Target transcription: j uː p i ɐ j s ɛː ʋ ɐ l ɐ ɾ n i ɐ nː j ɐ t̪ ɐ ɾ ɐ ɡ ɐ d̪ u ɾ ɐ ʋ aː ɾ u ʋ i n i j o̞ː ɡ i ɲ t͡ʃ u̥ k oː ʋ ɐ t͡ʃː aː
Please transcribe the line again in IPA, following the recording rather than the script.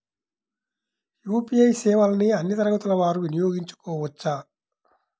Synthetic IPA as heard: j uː p i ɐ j s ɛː ʋ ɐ l ɐ n i ɐ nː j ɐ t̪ ɐ ɾ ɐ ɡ ɐ t̪ u l ɐ ʋ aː ɾ u ʋ i n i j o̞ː ɡ i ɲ t͡ʃ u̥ k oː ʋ ɐ t͡ʃː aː